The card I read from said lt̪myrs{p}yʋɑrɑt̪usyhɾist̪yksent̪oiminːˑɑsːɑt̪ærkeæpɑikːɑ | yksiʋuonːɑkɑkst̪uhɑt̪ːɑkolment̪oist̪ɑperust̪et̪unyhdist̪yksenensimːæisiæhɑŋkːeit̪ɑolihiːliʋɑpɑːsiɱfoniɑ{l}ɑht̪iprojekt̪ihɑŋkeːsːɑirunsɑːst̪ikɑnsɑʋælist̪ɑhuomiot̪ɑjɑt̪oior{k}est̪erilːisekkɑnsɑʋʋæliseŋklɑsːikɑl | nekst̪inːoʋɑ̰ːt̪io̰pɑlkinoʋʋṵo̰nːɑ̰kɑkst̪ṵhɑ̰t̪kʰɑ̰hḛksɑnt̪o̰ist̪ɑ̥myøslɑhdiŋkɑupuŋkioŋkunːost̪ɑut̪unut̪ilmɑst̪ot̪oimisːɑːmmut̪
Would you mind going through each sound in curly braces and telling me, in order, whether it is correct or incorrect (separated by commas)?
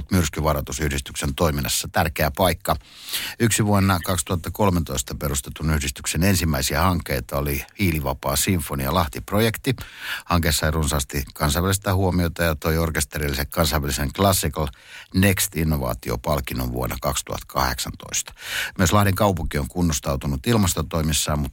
incorrect, correct, correct